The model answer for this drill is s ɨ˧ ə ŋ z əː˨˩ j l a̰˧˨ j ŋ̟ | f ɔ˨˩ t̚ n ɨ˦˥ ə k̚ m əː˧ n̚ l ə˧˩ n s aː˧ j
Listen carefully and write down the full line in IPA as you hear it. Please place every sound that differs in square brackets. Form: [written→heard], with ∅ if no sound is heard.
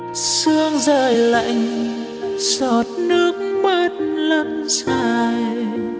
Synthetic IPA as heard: s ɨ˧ ə ŋ z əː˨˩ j l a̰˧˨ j ŋ̟ | [f→s] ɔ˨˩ t̚ n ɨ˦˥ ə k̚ m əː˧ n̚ l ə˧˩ n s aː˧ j

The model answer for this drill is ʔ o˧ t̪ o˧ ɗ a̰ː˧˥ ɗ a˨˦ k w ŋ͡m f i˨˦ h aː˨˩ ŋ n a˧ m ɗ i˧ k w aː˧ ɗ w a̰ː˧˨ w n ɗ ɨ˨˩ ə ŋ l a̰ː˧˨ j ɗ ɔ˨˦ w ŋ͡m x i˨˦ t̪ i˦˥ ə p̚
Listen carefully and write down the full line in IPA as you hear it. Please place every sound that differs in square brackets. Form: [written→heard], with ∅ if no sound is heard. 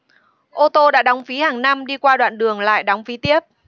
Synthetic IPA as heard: ʔ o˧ t̪ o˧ ɗ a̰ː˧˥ ɗ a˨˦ [k→∅] w ŋ͡m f i˨˦ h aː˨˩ ŋ n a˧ m ɗ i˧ k w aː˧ ɗ w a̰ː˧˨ [w→∅] n ɗ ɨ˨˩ ə ŋ l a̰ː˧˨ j ɗ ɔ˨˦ w ŋ͡m [x→f] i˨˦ t̪ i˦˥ ə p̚

